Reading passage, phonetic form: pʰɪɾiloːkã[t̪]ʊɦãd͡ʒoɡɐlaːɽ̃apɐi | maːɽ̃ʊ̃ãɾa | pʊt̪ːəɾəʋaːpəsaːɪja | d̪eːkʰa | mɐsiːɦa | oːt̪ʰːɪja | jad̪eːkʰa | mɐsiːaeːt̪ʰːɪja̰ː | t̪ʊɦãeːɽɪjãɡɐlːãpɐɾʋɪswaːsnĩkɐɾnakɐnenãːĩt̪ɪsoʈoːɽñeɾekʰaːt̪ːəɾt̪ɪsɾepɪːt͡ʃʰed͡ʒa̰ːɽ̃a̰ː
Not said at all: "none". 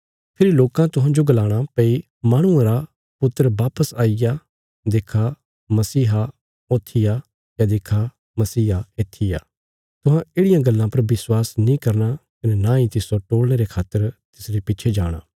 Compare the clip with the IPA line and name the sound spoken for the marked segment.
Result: t̪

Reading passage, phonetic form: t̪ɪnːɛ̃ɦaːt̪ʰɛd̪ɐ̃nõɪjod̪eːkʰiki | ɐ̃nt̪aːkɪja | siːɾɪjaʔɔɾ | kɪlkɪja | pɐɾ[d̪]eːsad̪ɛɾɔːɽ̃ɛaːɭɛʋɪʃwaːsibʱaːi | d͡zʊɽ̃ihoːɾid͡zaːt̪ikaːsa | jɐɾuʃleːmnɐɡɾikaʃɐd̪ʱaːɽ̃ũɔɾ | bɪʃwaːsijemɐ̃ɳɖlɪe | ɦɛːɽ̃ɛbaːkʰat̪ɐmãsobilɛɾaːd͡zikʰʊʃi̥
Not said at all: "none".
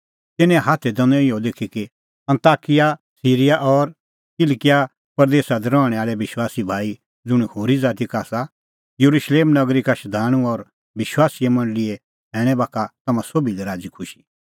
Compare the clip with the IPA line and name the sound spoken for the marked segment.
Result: d̪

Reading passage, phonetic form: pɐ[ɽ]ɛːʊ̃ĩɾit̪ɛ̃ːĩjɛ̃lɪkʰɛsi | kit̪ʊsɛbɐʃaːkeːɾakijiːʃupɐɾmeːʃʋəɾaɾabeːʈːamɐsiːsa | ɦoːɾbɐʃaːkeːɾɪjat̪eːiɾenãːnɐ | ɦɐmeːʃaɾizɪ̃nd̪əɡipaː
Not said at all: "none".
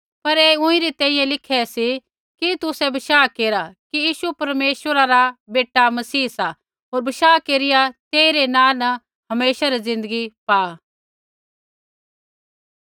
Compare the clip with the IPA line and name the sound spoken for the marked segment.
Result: ɾ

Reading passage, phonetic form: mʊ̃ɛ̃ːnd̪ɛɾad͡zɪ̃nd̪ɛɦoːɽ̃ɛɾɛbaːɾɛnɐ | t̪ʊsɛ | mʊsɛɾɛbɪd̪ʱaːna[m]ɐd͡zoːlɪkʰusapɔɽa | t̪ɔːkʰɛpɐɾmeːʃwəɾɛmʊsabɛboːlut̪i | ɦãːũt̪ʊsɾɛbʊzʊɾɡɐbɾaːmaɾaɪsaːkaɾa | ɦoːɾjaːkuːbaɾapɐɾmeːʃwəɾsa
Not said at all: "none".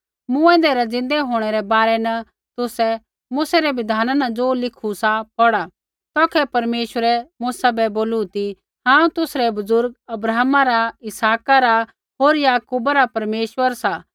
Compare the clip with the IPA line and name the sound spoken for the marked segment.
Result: n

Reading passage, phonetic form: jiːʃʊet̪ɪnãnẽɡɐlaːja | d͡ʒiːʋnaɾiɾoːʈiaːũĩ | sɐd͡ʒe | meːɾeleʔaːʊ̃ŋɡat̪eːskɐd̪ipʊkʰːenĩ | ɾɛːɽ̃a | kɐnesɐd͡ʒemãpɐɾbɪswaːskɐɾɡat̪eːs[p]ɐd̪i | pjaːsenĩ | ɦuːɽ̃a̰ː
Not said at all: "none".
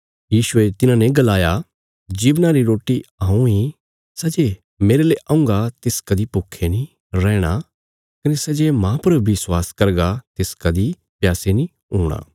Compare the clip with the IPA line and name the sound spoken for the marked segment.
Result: k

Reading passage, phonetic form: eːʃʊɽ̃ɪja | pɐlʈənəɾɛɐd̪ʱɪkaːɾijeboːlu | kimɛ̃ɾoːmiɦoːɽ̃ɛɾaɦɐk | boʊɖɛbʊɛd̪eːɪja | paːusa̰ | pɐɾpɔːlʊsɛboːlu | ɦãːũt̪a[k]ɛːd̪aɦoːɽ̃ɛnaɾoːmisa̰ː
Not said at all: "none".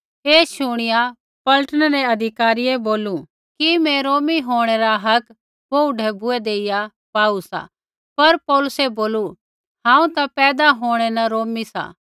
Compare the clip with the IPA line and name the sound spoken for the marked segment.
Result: p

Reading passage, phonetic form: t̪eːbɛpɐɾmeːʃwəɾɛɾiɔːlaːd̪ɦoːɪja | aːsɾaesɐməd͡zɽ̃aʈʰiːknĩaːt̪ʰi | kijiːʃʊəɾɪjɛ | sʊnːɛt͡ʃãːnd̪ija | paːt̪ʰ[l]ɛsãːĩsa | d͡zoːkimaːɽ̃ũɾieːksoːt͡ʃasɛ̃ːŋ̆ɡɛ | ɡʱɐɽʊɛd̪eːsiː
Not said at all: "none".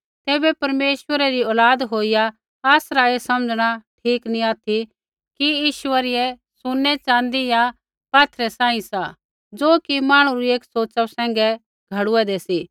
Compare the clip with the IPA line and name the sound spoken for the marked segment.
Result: ɾ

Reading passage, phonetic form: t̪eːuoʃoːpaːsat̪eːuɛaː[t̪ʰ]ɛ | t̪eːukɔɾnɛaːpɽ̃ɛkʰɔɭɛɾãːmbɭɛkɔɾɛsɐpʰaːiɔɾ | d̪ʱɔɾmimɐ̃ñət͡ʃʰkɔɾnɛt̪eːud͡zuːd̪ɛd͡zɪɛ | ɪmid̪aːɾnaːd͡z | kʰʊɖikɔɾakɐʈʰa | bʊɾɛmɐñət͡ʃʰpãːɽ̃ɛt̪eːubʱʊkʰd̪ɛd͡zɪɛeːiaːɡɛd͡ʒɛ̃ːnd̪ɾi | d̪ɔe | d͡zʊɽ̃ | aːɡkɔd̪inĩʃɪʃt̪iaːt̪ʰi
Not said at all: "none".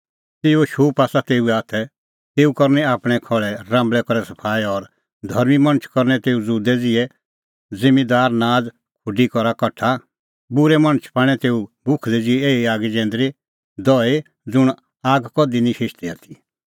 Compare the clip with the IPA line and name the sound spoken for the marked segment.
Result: t̪ʰ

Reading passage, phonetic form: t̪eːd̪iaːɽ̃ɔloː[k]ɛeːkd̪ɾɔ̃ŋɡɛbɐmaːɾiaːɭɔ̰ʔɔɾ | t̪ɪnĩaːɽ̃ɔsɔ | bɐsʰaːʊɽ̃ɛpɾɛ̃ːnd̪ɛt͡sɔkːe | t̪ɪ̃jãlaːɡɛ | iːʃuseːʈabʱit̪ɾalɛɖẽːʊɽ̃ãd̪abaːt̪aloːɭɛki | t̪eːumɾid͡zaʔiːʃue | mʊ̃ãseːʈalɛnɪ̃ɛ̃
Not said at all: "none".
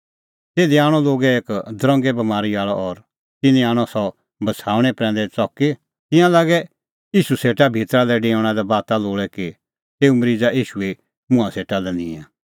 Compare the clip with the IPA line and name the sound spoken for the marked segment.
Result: ɡ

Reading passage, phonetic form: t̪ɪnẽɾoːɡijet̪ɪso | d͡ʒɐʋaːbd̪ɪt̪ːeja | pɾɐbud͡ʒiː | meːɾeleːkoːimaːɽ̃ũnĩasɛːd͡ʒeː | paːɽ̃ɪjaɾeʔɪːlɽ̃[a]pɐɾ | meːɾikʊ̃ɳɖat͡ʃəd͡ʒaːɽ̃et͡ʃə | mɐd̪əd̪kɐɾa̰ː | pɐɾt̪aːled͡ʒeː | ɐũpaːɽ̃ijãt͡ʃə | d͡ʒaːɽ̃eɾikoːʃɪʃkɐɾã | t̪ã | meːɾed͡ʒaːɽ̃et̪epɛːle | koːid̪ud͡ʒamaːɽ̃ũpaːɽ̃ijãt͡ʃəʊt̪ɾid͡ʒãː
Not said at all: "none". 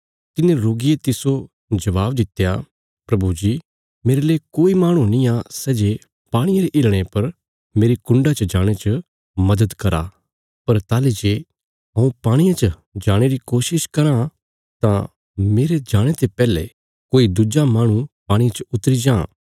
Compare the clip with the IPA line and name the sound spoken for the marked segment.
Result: e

